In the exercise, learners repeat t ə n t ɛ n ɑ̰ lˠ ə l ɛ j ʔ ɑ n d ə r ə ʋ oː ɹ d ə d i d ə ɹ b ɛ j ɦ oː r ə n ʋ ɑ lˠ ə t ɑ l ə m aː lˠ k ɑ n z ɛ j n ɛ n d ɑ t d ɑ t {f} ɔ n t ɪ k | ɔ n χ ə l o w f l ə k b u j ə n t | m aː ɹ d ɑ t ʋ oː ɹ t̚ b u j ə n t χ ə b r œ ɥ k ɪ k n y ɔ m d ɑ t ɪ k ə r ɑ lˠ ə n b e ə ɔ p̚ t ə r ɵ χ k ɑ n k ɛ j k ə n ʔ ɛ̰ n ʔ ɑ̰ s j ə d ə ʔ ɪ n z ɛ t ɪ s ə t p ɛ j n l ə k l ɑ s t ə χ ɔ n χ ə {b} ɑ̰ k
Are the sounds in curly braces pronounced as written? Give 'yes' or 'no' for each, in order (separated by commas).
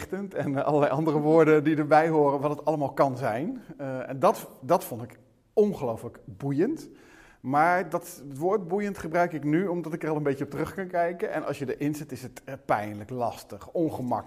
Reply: yes, no